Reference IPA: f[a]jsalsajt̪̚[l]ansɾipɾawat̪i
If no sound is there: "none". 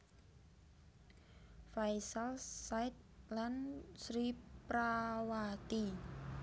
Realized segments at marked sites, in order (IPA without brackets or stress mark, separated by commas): a, l